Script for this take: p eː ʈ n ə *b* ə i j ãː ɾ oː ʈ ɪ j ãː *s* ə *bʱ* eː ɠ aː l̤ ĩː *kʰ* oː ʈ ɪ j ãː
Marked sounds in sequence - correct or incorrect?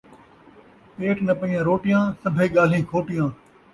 incorrect: p, correct, correct, correct

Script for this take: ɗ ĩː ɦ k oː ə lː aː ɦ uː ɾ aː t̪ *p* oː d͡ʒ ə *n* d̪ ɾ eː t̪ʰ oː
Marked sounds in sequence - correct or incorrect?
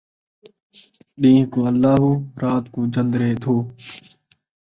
incorrect: k, correct

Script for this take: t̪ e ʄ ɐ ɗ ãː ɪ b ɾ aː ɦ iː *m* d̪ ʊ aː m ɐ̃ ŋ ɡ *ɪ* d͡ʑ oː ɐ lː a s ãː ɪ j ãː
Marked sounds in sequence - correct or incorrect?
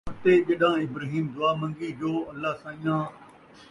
correct, incorrect: i

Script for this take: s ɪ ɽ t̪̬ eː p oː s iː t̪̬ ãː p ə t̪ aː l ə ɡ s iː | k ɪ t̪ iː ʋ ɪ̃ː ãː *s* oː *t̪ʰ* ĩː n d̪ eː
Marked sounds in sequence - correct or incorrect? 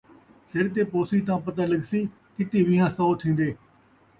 correct, correct

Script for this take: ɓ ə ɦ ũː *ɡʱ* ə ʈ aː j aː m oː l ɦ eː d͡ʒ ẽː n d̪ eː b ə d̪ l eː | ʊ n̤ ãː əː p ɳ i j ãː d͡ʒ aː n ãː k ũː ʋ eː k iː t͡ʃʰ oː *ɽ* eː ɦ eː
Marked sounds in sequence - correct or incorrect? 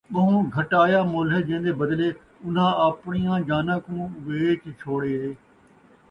correct, correct

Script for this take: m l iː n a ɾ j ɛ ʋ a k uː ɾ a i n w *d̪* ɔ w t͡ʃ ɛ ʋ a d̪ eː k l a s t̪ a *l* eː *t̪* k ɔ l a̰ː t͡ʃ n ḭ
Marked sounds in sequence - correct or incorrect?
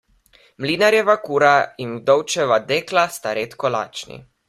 correct, incorrect: ɾ, correct

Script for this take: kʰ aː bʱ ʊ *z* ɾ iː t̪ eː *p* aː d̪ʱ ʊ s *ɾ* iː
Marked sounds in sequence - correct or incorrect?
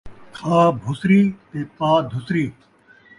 incorrect: s, correct, correct

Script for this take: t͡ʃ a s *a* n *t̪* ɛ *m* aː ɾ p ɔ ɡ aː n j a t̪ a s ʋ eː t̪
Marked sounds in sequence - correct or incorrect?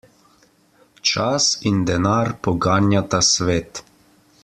incorrect: i, incorrect: d̪, incorrect: n

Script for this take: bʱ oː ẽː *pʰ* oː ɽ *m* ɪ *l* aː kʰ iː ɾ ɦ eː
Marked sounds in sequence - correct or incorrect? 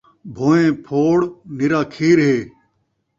correct, incorrect: n, incorrect: ɾ

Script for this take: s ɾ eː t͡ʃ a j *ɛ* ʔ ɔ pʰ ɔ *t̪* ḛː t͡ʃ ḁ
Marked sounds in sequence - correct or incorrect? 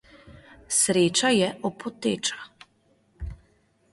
correct, correct

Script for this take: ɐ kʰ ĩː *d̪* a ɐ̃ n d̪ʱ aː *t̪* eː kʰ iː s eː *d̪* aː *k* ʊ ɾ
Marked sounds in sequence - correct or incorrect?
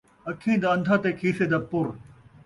correct, correct, correct, incorrect: p

